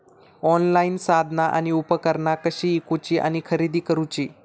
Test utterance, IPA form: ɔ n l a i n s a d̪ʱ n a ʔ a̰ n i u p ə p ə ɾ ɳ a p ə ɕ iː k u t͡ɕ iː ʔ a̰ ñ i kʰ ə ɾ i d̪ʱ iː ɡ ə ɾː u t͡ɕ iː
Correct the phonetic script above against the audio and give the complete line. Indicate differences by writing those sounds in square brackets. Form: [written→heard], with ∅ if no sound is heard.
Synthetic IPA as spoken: ɔ n l a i n s a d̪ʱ n a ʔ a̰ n i u p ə [p→k] ə ɾ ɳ a [p→k] ə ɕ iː k u t͡ɕ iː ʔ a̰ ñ i kʰ ə ɾ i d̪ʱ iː [ɡ→k] ə [ɾː→ɾ] u t͡ɕ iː